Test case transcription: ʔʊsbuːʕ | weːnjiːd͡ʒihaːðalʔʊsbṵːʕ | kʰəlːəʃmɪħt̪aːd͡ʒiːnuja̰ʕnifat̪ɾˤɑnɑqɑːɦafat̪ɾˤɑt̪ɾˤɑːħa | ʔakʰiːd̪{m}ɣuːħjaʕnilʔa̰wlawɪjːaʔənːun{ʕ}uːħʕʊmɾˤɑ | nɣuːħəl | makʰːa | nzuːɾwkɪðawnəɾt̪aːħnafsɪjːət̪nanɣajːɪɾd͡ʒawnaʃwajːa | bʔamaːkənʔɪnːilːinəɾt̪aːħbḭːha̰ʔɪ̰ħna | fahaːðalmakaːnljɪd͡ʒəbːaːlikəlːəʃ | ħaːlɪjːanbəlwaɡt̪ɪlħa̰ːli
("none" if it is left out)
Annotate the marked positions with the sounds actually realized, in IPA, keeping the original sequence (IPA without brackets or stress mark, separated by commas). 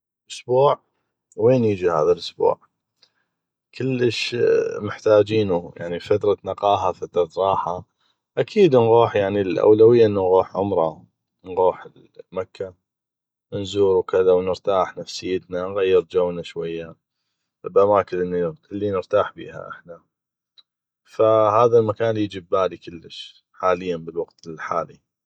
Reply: n, ɣ